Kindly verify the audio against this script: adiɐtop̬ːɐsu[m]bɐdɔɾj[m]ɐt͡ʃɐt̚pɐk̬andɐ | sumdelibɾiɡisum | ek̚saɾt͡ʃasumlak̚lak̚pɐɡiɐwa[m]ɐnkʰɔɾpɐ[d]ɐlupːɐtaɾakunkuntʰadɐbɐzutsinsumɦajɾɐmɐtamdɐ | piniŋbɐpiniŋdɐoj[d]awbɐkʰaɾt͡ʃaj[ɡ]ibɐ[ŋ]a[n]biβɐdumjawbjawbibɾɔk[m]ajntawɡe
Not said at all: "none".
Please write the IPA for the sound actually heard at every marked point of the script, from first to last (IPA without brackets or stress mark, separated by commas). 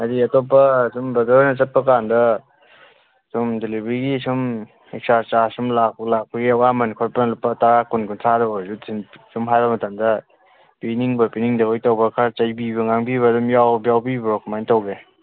m, n, m, n, t, b, ŋ, ŋ, m